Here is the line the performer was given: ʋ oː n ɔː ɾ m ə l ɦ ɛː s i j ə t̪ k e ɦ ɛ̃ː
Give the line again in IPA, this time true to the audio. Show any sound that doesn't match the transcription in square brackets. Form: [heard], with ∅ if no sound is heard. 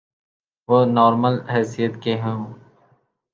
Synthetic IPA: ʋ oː n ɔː ɾ m ə l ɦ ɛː s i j ə t̪ k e ɦ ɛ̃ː

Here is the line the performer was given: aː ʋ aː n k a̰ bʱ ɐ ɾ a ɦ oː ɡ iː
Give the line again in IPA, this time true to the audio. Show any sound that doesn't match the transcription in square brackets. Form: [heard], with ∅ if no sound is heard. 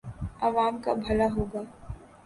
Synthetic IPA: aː ʋ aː [m] k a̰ bʱ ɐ [l] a ɦ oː ɡ [aː]

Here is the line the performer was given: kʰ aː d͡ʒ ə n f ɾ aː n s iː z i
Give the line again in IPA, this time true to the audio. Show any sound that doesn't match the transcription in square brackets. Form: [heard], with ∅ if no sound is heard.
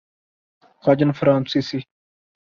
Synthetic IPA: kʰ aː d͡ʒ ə n f ɾ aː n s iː [s] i

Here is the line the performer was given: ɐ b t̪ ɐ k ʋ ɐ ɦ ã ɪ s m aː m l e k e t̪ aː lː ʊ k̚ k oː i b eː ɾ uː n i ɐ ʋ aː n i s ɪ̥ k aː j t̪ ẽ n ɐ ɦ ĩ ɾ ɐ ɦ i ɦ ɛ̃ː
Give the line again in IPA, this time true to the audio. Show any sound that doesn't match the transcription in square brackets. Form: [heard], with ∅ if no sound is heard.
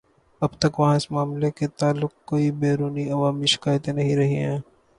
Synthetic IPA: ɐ b t̪ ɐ k ʋ ɐ ɦ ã ɪ s m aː m l e k e t̪ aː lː ʊ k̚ k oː i b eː ɾ uː n i ɐ ʋ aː [m] i [ʃ] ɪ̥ k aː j t̪ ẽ n ɐ ɦ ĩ ɾ ɐ ɦ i ɦ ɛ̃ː

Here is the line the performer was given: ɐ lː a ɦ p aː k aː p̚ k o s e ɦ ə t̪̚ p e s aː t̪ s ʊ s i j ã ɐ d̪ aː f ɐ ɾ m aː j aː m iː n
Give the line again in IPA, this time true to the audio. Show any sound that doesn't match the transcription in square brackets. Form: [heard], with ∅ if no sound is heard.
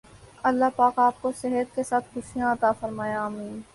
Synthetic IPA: ɐ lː a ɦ p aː k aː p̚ k o s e ɦ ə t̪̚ [k] e s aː t̪ [x] ʊ [ʃ] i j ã ɐ [t̪] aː f ɐ ɾ m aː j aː m iː n

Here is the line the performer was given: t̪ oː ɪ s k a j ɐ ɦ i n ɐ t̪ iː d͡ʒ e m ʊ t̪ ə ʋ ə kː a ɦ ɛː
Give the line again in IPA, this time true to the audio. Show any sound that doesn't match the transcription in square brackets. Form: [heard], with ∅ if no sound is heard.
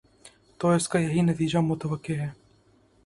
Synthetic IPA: t̪ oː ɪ s k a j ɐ ɦ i n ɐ t̪ iː d͡ʒ [a] m ʊ t̪ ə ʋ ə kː [e] ɦ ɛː

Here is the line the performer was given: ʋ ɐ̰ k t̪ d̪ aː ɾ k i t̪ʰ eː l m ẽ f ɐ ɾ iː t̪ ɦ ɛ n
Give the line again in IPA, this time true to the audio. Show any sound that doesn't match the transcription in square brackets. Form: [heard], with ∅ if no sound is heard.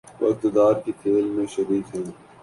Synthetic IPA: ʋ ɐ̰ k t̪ d̪ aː ɾ k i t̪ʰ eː l m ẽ [ʃ] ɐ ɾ iː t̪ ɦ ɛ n

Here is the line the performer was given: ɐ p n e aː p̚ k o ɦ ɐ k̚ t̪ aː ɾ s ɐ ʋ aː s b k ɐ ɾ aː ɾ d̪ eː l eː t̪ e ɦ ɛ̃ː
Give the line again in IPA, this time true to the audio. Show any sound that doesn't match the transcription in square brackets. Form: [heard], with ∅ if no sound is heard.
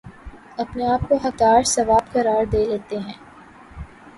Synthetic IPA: ɐ p n e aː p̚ k o ɦ ɐ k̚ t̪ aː ɾ s ɐ ʋ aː [∅] b k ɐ ɾ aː ɾ d̪ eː l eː t̪ e ɦ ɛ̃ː

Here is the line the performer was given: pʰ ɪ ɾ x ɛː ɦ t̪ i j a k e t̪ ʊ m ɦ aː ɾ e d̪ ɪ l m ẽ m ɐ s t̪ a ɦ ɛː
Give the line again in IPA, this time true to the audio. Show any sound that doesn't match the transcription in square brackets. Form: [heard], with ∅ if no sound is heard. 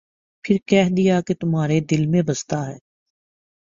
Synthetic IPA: pʰ ɪ ɾ [k] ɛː ɦ [d̪] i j a k e t̪ ʊ m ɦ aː ɾ e d̪ ɪ l m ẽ [b] ɐ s t̪ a ɦ ɛː

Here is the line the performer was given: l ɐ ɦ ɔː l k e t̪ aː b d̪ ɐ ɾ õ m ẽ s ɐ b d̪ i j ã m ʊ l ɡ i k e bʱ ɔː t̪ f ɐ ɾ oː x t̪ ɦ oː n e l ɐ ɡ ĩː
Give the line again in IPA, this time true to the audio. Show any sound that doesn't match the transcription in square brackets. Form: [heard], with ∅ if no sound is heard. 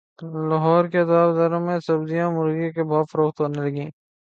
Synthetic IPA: l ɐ ɦ ɔː [ɾ] k e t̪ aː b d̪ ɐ ɾ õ m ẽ s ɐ b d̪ i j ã m ʊ [ɾ] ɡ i k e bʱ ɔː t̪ f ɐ ɾ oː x t̪ ɦ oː n e l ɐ ɡ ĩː

